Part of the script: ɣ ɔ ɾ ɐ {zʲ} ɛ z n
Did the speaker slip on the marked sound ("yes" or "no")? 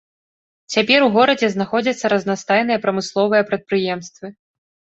yes